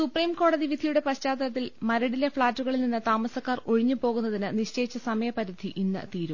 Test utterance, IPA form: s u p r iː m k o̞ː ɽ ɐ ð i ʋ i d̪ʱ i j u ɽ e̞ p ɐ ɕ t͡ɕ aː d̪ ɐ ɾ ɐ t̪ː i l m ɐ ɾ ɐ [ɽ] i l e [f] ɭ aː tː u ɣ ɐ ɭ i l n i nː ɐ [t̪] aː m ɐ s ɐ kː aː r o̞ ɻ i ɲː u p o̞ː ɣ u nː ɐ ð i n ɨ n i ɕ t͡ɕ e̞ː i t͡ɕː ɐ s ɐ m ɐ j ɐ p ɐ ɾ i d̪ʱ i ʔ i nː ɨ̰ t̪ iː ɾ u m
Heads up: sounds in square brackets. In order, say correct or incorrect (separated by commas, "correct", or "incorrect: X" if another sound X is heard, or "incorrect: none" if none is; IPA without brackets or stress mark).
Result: correct, correct, correct